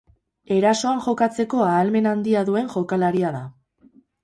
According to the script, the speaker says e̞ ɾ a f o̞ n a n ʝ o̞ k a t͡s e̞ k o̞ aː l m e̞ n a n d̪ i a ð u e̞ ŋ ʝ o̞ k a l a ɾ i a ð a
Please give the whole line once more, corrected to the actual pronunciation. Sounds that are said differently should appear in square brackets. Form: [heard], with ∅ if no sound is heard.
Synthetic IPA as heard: e̞ ɾ a [s] o̞ [∅] a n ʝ o̞ k a t͡s e̞ k o̞ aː l m e̞ n a n d̪ i a ð u e̞ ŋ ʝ o̞ k a l a ɾ i a ð a